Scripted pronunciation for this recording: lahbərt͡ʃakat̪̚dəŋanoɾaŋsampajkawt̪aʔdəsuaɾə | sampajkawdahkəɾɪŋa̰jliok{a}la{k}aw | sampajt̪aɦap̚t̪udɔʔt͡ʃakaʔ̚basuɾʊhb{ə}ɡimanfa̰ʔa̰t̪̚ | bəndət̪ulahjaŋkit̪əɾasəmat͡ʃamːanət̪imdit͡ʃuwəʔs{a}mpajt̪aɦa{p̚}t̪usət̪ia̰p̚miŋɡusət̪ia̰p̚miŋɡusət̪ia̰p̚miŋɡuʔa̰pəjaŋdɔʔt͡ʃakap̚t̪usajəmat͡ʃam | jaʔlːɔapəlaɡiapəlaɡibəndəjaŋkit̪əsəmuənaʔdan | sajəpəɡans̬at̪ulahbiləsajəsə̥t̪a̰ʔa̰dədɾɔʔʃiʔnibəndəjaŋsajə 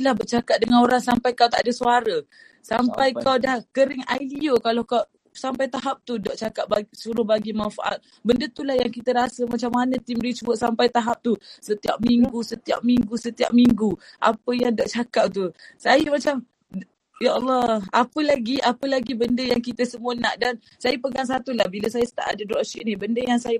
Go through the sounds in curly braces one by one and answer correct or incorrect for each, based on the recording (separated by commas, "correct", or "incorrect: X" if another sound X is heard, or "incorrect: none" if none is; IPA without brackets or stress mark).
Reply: correct, correct, incorrect: a, correct, correct